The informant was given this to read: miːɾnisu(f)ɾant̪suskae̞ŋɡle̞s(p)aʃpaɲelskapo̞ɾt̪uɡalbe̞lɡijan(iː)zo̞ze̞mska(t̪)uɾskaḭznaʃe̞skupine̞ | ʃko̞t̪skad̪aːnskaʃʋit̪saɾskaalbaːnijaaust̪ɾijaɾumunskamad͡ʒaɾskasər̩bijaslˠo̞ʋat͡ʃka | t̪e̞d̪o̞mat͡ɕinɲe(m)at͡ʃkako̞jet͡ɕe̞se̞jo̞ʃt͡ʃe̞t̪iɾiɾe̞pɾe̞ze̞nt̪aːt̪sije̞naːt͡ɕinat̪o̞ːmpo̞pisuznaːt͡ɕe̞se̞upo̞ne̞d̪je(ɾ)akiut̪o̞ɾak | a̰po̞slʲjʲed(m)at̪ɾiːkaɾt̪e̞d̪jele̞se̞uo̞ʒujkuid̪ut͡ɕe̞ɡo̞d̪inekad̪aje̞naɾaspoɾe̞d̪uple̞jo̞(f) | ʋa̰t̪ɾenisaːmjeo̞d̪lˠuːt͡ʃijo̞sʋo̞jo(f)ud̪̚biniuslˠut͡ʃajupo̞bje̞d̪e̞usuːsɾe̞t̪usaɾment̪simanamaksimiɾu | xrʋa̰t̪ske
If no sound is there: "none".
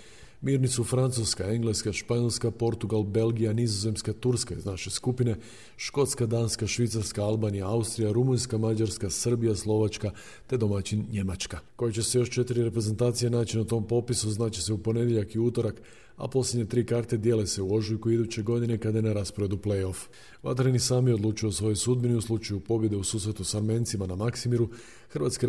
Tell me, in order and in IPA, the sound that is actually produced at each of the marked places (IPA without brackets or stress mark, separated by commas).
f, k, i, t̪, m, ʎ, ɲ, f, s